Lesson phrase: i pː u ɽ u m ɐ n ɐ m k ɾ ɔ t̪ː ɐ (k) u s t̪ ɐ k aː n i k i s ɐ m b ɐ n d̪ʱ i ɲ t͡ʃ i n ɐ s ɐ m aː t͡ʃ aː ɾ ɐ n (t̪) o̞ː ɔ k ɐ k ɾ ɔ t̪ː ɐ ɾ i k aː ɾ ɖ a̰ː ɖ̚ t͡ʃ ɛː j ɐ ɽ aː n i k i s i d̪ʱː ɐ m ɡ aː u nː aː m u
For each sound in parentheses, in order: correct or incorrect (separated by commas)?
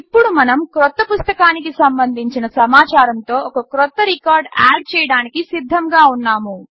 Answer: incorrect, correct